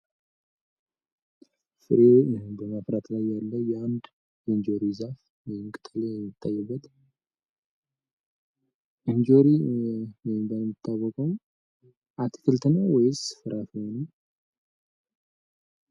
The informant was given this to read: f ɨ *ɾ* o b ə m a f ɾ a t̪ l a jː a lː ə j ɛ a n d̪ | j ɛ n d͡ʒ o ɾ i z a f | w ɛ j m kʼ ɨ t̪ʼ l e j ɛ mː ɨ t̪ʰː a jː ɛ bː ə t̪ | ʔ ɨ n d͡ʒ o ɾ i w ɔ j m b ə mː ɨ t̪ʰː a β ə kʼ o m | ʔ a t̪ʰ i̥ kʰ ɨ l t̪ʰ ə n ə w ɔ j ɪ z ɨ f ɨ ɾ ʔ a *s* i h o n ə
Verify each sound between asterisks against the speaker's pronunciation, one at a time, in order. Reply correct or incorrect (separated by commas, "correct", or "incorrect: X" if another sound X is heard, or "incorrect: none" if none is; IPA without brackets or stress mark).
correct, incorrect: f